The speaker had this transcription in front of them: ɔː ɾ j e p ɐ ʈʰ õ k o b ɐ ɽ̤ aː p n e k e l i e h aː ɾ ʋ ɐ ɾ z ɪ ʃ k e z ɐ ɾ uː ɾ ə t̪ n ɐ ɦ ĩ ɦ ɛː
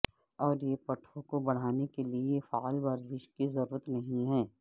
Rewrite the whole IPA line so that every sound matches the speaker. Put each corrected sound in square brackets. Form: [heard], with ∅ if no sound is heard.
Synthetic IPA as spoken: ɔː ɾ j e p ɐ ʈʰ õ k o b ɐ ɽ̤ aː [∅] n e k e l i e [f] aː [l] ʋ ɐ ɾ z ɪ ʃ k [i] z ɐ ɾ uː ɾ ə t̪ n ɐ ɦ ĩ ɦ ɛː